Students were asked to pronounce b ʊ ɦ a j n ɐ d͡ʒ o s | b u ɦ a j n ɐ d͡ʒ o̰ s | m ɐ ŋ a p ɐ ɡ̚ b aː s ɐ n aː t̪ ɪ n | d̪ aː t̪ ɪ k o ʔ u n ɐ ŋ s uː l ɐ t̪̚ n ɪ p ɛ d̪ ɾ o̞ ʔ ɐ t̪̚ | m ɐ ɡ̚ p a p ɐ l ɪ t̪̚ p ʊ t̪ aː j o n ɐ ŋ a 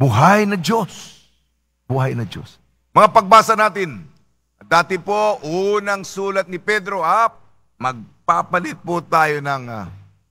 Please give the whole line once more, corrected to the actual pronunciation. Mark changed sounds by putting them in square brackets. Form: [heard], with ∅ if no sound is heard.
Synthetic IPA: b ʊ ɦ a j n ɐ d͡ʒ o s | b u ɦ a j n ɐ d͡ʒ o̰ s | m ɐ ŋ a p ɐ ɡ̚ b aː s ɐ n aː t̪ ɪ n | d̪ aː t̪ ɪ [p] o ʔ u n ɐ ŋ s uː l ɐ t̪̚ n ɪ p ɛ d̪ ɾ o̞ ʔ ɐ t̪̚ | m ɐ ɡ̚ p a p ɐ l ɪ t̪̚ p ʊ t̪ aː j o n ɐ ŋ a